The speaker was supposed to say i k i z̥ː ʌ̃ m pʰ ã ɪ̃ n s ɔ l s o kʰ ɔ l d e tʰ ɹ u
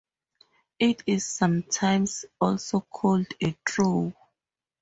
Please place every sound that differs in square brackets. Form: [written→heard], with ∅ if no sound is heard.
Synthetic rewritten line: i [k→t] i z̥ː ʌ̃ m [pʰ→tʰ] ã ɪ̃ [n→m] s ɔ l s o kʰ ɔ l d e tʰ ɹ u